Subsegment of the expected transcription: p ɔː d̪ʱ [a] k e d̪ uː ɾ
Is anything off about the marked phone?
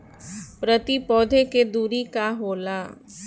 yes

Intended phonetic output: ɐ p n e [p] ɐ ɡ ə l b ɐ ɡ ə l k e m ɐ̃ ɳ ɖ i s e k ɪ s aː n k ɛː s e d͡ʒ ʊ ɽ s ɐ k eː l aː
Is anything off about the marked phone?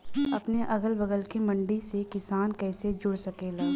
yes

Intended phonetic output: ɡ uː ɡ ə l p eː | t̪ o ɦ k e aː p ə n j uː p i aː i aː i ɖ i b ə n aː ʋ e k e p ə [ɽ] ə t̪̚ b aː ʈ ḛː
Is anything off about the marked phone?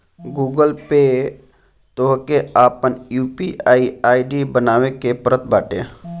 yes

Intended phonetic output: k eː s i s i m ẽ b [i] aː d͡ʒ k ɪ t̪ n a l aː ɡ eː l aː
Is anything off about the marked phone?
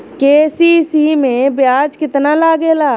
yes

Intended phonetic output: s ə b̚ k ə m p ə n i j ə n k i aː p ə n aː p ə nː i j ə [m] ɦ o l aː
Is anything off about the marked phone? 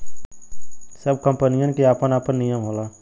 no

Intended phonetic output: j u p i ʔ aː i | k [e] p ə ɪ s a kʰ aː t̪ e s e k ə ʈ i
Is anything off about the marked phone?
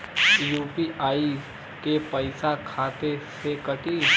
no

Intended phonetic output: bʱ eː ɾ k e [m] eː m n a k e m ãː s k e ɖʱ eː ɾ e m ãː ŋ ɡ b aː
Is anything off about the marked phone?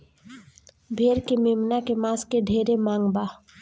no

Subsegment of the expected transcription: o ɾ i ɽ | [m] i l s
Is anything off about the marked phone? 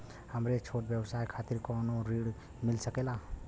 no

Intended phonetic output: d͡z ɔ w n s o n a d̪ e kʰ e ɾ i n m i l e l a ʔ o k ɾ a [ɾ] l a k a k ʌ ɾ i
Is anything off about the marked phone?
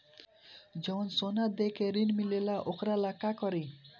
yes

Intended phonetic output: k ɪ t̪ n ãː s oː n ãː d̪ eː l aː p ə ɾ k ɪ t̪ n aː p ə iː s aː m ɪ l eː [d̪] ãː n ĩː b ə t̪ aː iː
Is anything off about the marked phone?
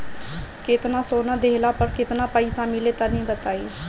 yes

